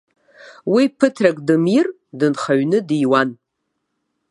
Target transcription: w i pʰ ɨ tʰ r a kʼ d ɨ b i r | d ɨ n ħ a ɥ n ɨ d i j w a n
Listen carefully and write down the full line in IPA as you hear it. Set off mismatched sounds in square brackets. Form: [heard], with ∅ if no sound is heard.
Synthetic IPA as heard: w i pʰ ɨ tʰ r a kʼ d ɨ [m] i r | d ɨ n [χ] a ɥ n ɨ d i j w a n